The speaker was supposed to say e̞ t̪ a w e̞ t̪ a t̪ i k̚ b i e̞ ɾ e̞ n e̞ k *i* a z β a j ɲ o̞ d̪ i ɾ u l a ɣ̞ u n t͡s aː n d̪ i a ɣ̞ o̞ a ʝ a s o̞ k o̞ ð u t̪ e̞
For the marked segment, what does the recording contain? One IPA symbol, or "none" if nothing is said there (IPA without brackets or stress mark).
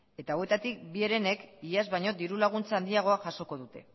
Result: i